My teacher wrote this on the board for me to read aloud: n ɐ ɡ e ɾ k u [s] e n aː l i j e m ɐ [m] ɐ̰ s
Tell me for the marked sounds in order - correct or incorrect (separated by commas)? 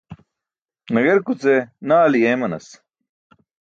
incorrect, incorrect